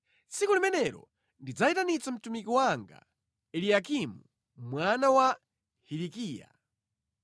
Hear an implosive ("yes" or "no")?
no